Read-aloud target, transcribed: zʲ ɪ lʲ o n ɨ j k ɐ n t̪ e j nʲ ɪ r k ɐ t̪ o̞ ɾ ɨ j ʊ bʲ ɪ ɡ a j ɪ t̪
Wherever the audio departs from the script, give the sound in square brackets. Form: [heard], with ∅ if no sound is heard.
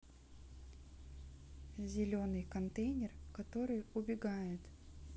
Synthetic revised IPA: zʲ ɪ lʲ o n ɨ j k ɐ n t̪ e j nʲ ɪ r k ɐ t̪ o̞ ɾ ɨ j ʊ bʲ ɪ ɡ a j ɪ t̪